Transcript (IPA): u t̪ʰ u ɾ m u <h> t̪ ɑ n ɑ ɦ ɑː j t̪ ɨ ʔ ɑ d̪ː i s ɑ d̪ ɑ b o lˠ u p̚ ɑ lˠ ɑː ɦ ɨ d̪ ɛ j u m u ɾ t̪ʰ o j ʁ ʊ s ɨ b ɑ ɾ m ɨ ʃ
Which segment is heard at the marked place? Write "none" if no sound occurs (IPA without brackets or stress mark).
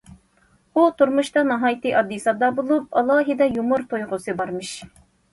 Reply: ʃ